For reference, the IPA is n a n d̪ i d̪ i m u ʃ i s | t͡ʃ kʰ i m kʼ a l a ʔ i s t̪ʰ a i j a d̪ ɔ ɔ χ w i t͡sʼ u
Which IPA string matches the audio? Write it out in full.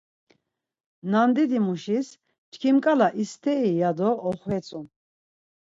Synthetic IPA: n a n d̪ i d̪ i m u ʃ i s | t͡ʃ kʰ i m kʼ a l a ʔ i s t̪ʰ ɛ i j a d̪ ɔ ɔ χ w ɛ t͡sʼ u